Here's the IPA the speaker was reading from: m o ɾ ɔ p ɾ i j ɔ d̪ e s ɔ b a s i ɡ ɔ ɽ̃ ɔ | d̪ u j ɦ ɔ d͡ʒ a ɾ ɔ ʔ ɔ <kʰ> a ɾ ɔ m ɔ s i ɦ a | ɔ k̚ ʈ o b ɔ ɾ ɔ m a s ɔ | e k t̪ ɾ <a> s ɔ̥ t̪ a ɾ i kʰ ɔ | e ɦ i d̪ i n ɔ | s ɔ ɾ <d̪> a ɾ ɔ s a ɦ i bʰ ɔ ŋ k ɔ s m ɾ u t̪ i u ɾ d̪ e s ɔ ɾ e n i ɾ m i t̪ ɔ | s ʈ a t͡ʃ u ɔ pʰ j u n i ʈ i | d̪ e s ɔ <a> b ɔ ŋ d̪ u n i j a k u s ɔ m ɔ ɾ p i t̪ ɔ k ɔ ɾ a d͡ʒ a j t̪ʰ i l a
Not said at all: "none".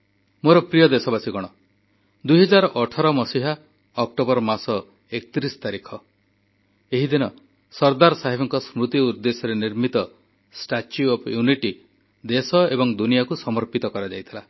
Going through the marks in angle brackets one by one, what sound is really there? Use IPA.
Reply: ʈʰ, i, d̪, e

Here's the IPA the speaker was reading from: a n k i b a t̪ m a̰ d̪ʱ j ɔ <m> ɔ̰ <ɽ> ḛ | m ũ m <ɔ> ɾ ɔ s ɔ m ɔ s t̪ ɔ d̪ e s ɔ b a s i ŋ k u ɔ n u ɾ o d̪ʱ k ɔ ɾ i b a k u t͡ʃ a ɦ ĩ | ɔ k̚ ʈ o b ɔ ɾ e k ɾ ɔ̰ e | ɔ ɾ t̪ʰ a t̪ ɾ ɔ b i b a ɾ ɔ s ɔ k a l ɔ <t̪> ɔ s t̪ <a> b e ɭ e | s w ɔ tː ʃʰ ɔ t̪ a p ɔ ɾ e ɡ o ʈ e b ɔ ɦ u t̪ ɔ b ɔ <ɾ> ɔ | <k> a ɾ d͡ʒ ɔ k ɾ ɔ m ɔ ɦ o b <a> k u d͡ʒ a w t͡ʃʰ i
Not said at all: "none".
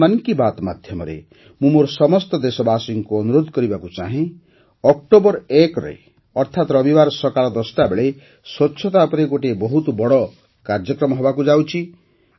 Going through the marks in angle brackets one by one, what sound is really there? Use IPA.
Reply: m, ɾ, o, d̪, a, ɽ, k, a

